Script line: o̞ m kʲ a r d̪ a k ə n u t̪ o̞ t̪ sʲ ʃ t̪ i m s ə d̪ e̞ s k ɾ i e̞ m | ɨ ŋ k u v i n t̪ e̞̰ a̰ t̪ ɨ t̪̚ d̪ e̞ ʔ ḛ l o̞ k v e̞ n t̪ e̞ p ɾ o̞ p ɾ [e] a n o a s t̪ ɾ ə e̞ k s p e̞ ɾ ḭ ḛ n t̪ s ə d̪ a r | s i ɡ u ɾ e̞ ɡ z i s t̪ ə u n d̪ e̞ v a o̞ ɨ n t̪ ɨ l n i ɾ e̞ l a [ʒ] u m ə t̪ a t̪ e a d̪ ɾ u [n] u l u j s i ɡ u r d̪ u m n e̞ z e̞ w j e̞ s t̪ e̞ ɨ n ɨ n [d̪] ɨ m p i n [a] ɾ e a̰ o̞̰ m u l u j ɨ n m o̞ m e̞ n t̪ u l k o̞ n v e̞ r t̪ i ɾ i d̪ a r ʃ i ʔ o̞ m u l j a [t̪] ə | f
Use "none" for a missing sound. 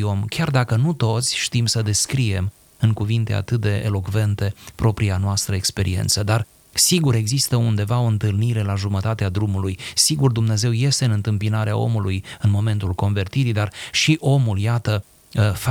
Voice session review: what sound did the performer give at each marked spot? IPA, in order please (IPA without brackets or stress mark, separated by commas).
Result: i, ʒ, m, t̪, a, t̪